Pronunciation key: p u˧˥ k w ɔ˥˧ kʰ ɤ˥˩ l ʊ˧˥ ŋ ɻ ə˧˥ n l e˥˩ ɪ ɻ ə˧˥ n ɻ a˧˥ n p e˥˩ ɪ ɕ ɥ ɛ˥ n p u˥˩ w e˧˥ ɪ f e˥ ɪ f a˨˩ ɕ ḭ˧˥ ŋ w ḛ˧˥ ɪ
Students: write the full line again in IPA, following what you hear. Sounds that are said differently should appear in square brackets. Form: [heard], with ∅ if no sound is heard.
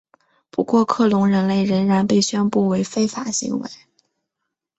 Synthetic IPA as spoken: p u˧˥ k w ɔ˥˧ kʰ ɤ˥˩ l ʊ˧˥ ŋ ɻ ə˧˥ n l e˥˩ ɪ ɻ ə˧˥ n ɻ a˧˥ n p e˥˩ ɪ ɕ ɥ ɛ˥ n p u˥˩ w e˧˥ ɪ f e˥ ɪ f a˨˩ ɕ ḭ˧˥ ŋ w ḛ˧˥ ɪ